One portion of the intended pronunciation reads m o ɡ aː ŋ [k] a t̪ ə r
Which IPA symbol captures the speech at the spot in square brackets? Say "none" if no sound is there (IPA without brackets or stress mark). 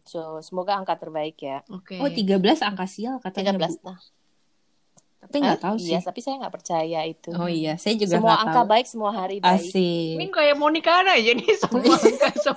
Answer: k